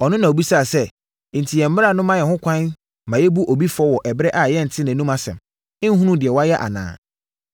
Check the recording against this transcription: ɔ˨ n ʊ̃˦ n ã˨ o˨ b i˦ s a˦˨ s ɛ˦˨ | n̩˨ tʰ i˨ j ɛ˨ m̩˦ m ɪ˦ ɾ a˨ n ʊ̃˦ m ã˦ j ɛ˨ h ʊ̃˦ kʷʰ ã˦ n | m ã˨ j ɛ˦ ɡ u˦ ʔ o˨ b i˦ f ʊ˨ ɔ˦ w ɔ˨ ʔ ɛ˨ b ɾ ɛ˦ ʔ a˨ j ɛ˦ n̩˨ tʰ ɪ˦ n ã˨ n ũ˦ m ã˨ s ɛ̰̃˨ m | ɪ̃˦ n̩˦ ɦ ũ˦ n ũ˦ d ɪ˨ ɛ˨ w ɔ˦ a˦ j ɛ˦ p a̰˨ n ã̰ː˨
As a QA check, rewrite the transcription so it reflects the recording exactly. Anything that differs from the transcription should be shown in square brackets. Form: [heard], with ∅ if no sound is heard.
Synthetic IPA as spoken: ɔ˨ n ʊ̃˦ n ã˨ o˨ b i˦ s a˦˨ s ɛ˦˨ | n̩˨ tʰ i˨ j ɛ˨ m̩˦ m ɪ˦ ɾ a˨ n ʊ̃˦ m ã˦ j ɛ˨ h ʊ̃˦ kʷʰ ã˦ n | m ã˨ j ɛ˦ [b] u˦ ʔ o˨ b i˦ f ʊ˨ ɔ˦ w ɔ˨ ʔ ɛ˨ b ɾ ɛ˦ ʔ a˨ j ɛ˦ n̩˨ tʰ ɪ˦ n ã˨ n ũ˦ m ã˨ s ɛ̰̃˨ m | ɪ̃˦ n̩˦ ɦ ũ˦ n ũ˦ d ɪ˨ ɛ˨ w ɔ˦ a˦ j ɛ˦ [ʔ] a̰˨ n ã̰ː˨

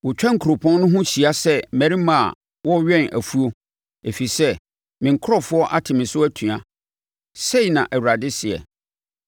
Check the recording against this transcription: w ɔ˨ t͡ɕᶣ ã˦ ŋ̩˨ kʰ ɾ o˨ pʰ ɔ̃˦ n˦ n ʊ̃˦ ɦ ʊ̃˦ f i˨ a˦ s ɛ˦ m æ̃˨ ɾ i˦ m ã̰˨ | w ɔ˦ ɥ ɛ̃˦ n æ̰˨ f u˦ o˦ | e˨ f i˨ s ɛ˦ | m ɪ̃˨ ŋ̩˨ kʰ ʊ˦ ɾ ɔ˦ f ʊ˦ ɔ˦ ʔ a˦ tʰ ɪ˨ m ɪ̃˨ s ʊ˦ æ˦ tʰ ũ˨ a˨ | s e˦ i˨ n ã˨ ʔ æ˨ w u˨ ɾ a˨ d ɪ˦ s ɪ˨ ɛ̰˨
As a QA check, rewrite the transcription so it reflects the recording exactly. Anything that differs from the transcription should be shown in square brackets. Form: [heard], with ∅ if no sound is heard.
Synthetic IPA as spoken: w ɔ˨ t͡ɕᶣ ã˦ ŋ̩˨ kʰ ɾ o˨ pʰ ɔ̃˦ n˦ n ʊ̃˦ ɦ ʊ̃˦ [ɕ] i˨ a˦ s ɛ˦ m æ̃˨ ɾ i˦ m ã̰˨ | w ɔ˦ ɥ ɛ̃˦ n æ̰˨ f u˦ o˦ | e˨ f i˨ s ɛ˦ | m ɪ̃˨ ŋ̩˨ kʰ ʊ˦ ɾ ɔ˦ f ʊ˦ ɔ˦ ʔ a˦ tʰ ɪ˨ m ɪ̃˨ s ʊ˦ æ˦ tʰ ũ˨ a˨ | s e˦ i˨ n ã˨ ʔ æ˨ w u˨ ɾ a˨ d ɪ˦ s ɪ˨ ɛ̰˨

